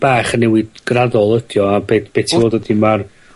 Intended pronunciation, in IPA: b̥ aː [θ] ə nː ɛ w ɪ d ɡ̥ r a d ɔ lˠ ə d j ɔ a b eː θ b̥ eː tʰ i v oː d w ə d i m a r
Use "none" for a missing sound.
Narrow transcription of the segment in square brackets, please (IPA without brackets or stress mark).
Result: χ